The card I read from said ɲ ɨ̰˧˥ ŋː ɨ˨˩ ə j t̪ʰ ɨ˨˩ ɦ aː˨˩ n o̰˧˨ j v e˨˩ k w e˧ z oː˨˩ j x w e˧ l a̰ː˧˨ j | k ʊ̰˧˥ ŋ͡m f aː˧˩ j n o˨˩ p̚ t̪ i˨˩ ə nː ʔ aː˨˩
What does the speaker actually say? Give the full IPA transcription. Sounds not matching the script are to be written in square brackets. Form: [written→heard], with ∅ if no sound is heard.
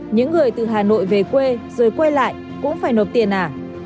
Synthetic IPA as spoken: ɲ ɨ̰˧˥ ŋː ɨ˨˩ ə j [t̪ʰ→t̪] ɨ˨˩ ɦ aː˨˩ n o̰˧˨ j v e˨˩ k w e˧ z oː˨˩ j [x→k] w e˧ l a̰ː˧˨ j | k ʊ̰˧˥ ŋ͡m f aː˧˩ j n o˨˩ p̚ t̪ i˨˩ ə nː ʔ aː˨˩